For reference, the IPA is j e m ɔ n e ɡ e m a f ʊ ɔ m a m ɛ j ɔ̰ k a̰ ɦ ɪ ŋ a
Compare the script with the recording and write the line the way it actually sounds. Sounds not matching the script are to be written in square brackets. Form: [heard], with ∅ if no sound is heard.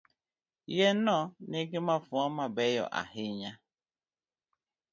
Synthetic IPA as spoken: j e [n] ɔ n e ɡ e m a f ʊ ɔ m a [b] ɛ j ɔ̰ [ʔ] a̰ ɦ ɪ [ɲ] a